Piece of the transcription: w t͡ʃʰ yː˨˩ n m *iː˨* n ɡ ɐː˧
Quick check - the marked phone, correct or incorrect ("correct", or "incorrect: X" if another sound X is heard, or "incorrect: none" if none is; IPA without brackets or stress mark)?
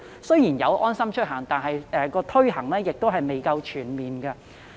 correct